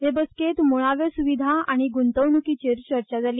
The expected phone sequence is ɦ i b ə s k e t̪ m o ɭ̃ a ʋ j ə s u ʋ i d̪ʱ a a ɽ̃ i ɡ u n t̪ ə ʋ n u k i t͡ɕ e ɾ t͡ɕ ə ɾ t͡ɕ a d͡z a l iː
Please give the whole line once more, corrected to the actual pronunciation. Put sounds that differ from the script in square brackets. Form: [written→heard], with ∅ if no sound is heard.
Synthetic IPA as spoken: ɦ [i→e] b ə s k e t̪ m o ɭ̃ a ʋ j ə s u ʋ i d̪ʱ a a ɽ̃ i ɡ u n t̪ ə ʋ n u k i t͡ɕ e ɾ t͡ɕ ə ɾ t͡ɕ a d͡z a l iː